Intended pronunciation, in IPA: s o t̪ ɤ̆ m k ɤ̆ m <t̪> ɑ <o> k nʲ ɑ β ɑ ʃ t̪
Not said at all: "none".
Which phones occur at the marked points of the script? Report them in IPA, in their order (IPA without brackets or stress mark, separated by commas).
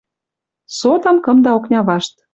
d̪, o